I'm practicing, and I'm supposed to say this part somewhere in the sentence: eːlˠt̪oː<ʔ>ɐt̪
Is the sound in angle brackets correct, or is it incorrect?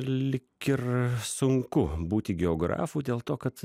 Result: incorrect